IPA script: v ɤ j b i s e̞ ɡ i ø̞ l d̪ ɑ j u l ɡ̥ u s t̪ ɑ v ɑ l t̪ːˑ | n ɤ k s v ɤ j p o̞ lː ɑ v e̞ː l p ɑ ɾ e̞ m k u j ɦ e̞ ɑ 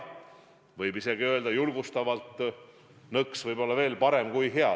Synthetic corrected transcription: v ɤ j b i s e̞ ɡ i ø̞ l d̪ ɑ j u l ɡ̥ u s t̪ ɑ v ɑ l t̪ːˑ | n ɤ k s v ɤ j b o̞ lː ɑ v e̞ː l p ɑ ɾ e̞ m k u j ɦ e̞ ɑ